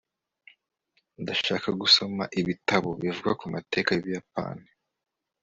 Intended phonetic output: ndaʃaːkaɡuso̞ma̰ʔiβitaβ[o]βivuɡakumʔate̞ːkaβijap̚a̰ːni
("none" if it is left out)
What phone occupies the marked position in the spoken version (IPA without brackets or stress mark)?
o